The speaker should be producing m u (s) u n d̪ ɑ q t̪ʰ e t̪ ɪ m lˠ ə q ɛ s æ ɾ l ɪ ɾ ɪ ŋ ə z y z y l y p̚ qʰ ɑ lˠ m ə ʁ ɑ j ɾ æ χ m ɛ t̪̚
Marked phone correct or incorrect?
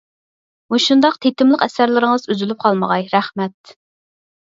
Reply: incorrect